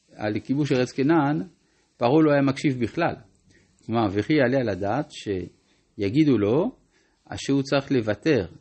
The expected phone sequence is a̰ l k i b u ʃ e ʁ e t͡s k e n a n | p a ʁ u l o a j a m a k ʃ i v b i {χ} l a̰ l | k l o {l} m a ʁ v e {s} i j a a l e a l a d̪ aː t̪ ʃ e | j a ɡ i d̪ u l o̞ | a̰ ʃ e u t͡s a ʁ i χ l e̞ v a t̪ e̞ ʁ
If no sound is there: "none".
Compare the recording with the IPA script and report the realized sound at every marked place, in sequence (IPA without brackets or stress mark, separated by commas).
χ, none, χ